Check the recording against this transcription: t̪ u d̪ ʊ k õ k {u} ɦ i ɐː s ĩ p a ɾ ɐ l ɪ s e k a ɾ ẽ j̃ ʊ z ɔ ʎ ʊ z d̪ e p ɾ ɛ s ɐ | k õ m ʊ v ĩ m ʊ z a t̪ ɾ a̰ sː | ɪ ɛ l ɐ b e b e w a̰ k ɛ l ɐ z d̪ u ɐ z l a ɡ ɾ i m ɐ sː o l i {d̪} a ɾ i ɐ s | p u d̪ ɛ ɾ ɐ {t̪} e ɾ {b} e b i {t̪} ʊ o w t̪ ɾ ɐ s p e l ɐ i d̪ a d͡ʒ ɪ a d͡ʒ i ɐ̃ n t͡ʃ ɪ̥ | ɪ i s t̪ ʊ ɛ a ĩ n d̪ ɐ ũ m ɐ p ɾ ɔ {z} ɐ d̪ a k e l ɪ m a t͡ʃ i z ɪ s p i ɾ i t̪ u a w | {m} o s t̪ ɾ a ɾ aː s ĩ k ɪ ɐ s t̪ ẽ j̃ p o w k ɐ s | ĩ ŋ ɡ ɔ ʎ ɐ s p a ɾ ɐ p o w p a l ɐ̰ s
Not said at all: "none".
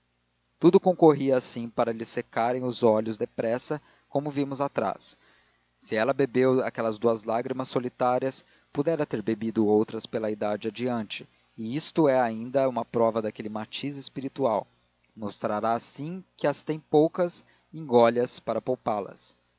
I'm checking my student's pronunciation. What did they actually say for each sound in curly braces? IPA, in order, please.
o, t̪, t̪, b, d̪, v, m

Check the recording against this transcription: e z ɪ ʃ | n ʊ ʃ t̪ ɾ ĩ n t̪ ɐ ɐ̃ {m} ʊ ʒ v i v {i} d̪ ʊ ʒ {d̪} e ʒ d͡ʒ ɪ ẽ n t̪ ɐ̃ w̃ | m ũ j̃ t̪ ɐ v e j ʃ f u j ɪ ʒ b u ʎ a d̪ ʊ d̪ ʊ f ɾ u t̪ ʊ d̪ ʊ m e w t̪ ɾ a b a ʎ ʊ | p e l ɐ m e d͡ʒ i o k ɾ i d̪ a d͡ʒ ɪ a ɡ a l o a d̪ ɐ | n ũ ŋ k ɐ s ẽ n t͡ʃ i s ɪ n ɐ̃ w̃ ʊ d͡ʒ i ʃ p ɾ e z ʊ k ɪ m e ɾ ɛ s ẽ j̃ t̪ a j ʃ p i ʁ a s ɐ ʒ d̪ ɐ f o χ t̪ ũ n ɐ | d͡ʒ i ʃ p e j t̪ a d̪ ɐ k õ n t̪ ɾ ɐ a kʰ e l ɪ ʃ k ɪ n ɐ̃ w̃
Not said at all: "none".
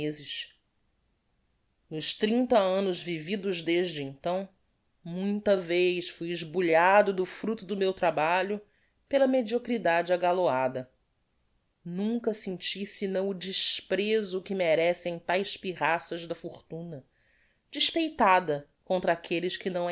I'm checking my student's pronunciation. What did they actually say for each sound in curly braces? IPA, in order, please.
n, i, d̪

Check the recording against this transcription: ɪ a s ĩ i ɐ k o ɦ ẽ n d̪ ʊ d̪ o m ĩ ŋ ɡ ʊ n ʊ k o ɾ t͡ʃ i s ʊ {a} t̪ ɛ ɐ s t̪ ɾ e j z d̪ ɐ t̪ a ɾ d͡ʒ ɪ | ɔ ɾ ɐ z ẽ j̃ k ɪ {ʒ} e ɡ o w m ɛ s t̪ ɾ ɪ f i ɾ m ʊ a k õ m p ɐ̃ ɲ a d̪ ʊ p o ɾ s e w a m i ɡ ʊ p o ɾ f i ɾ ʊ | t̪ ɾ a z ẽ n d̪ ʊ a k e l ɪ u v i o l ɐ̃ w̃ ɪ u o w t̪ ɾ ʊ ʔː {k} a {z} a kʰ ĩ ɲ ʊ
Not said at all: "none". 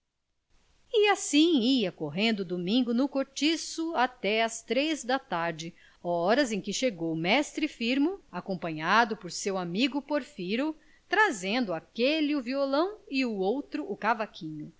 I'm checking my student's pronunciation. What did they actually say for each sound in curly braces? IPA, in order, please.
a, ʃ, k, v

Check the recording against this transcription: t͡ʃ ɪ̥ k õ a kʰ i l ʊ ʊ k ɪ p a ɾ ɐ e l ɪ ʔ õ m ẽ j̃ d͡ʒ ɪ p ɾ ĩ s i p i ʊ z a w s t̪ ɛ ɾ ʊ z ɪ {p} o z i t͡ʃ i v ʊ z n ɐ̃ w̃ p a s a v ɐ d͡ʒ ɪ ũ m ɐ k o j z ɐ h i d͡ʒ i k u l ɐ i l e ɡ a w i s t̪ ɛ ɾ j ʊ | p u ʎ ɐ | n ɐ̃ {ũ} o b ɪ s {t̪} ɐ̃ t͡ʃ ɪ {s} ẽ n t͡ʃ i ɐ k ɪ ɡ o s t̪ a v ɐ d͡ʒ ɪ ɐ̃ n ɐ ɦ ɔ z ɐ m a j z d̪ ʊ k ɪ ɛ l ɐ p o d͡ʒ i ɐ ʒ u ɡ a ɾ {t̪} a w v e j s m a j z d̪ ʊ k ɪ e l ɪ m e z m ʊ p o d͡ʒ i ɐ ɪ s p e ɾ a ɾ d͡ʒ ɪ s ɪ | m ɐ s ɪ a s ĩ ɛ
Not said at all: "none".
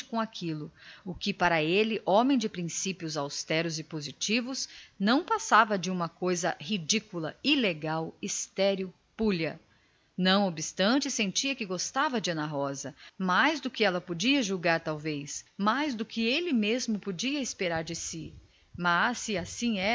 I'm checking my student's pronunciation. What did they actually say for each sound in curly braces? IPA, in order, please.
p, w̃, t̪, s, t̪

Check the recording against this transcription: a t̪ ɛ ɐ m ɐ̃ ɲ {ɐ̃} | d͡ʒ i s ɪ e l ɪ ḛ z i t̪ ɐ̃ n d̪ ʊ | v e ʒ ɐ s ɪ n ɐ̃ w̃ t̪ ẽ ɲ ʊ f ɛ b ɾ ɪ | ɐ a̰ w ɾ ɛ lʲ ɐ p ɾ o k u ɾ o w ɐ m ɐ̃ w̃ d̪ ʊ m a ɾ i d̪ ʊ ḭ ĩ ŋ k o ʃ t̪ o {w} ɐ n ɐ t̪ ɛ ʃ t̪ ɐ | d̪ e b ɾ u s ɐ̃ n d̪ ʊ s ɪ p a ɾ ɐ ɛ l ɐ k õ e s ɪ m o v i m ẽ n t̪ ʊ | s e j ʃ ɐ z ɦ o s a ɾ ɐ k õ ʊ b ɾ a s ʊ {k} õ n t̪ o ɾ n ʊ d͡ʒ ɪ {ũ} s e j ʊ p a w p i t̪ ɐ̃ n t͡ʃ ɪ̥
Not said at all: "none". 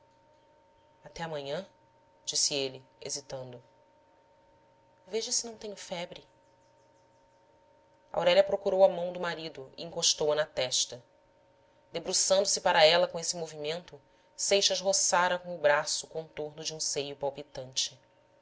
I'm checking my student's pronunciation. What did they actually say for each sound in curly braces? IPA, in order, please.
ɐ̃, w, k, ũ

